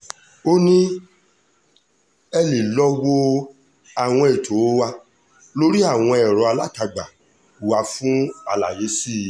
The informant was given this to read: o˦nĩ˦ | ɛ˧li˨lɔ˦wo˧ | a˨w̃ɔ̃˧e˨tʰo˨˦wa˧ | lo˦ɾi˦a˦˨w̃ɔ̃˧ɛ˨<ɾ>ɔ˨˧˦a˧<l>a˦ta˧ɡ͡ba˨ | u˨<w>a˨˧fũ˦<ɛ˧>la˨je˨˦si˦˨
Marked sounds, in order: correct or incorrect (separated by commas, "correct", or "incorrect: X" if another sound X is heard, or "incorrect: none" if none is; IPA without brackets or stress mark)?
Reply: correct, correct, correct, incorrect: a˧